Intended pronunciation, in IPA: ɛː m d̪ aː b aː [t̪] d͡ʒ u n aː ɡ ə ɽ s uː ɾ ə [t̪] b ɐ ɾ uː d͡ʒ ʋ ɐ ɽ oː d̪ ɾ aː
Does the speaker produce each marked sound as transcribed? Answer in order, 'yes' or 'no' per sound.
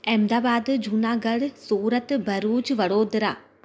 no, yes

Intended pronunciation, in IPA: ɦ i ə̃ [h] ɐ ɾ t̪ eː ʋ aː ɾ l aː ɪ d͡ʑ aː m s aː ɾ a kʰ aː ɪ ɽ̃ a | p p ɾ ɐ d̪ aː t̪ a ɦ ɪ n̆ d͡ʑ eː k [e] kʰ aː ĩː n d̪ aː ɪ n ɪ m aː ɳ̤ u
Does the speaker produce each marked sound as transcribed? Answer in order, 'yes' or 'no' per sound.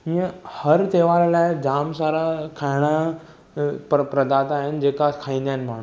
yes, no

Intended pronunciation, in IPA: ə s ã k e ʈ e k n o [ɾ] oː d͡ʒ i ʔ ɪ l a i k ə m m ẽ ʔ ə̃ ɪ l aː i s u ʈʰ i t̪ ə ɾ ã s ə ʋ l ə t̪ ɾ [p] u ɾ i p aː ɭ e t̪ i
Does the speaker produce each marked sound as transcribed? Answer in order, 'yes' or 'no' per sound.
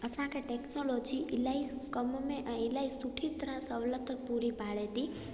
no, yes

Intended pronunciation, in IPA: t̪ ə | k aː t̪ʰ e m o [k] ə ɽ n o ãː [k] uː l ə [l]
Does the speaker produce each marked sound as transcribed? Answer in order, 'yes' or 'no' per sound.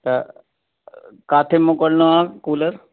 yes, yes, no

